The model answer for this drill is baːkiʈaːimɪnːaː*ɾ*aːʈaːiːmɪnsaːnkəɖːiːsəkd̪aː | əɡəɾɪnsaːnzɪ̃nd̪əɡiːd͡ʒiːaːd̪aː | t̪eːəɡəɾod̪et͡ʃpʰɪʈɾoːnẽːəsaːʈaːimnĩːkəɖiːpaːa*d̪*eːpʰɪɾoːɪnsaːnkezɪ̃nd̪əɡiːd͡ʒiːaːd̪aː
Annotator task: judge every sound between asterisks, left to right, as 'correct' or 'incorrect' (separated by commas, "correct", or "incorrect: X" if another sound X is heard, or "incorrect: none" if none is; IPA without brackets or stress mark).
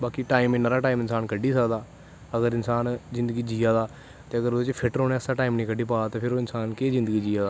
correct, incorrect: t̪